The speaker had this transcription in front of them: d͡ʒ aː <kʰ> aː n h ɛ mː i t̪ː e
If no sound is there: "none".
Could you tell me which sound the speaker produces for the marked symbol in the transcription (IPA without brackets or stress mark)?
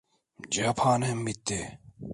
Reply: pʰ